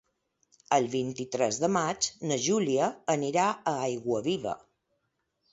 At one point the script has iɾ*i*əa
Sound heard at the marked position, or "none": a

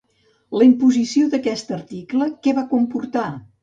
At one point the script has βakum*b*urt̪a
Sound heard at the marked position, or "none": p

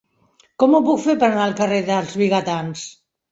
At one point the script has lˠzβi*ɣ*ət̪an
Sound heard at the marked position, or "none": ɣ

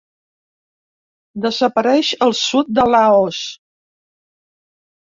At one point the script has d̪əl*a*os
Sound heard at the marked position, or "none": a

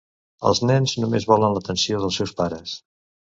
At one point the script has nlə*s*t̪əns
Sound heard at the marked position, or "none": none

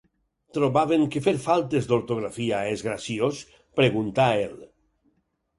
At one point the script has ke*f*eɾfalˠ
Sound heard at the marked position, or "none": f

